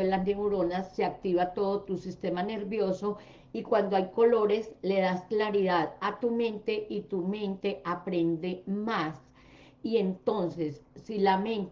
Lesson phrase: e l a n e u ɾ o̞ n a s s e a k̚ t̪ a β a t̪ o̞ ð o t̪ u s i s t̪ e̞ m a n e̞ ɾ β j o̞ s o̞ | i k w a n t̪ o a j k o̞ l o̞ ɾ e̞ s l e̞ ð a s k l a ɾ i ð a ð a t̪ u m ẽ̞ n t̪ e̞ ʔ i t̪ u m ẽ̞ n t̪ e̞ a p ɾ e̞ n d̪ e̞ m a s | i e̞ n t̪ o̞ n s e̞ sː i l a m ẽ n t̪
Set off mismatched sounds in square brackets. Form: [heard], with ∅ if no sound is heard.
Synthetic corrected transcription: e l a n e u ɾ o̞ n a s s e a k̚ t̪ [i] β a t̪ o̞ ð o t̪ u s i s t̪ e̞ m a n e̞ ɾ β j o̞ s o̞ | i k w a n [d̪] o a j k o̞ l o̞ ɾ e̞ s l e̞ ð a s k l a ɾ i ð a ð a t̪ u m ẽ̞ n t̪ e̞ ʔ i t̪ u m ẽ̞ n t̪ e̞ a p ɾ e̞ n d̪ e̞ m a s | i e̞ n t̪ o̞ n s e̞ sː i l a m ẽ n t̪